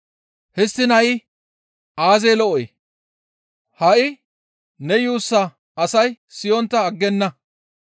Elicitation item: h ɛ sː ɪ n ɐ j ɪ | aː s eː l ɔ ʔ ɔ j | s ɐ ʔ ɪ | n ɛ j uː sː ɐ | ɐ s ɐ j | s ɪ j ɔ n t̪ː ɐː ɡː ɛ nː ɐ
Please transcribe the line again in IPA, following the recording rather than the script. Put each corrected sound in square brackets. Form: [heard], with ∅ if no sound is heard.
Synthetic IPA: h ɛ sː ɪ n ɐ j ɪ | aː [z] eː l ɔ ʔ ɔ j | [h] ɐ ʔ ɪ | n ɛ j uː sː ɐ | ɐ s ɐ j | s ɪ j ɔ n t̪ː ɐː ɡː ɛ nː ɐ